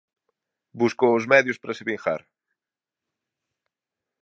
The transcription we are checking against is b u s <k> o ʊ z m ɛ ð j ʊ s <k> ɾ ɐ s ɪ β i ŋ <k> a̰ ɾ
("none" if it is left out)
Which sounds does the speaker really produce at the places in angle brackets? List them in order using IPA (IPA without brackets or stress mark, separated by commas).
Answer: k, p, x